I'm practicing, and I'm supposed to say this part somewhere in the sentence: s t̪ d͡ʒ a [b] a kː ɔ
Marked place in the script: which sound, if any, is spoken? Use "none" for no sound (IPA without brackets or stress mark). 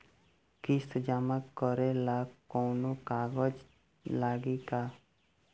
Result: m